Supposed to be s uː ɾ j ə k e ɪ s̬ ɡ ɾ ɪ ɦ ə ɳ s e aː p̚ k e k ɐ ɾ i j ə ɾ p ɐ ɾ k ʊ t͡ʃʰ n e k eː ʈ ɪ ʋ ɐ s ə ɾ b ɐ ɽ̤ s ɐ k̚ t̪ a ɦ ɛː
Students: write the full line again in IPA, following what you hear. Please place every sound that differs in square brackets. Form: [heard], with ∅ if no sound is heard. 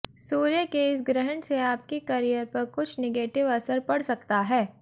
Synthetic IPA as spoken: s uː ɾ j ə k e ɪ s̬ ɡ ɾ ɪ ɦ ə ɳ s e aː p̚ k e k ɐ ɾ i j ə ɾ p ɐ ɾ k ʊ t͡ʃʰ n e [ɡ] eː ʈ ɪ ʋ ɐ s ə ɾ [p] ɐ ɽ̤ s ɐ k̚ t̪ a ɦ ɛː